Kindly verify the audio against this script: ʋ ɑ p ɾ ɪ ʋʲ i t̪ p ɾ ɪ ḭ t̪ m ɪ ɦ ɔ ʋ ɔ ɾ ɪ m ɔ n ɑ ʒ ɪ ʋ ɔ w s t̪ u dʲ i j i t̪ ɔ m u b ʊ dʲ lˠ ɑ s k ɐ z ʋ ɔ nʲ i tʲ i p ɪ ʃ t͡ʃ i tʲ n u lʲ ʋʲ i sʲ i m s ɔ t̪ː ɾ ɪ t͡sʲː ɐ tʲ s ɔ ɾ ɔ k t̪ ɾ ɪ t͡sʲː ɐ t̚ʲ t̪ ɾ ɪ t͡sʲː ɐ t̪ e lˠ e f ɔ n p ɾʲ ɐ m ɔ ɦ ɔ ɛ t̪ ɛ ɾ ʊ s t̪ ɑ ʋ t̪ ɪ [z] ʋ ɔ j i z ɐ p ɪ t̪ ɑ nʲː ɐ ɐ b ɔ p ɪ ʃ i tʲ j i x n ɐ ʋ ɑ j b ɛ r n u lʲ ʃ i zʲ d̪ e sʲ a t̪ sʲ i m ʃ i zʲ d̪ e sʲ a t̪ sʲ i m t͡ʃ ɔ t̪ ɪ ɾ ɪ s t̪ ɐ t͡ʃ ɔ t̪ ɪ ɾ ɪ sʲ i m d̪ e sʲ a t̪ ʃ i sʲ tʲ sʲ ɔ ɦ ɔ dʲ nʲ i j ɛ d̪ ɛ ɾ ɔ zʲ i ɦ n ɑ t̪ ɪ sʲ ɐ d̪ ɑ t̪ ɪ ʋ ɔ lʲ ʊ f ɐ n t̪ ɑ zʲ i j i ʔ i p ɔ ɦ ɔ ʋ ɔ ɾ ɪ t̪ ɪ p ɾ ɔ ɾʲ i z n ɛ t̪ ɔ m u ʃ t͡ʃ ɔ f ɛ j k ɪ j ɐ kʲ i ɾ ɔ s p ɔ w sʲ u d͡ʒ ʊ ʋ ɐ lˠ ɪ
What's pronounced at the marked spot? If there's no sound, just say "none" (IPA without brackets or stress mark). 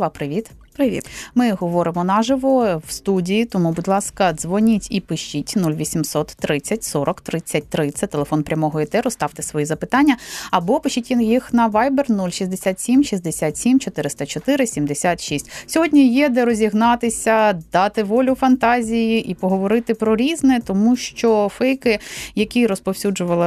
s